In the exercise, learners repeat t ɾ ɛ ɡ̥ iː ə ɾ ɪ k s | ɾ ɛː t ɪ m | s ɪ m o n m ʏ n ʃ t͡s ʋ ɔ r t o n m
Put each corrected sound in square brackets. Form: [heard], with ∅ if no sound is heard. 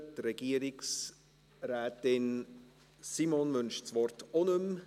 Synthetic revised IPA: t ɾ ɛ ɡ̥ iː ə ɾ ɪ k s | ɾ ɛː t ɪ [n] | s [i] m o n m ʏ n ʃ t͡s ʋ ɔ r t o n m